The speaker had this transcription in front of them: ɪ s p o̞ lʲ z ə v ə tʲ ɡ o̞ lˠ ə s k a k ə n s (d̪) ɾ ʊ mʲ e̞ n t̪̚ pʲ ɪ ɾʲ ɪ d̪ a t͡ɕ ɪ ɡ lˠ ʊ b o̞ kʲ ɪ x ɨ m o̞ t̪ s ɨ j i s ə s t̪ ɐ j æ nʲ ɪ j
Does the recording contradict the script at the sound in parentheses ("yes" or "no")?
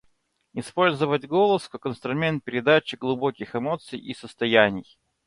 yes